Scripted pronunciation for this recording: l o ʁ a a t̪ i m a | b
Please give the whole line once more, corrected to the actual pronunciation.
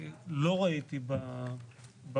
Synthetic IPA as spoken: l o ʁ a i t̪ i b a | b